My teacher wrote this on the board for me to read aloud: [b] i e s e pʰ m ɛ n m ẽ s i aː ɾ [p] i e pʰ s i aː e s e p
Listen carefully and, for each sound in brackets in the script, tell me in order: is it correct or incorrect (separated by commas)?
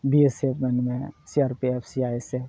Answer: correct, correct